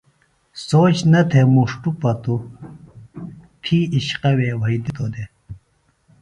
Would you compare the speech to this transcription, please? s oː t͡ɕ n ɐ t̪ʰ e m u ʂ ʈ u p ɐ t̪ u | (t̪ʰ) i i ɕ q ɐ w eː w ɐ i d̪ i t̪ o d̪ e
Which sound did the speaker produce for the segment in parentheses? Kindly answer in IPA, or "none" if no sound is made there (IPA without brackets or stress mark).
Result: t̪ʰ